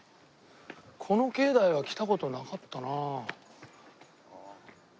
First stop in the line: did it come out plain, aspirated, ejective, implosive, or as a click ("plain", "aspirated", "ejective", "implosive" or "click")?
aspirated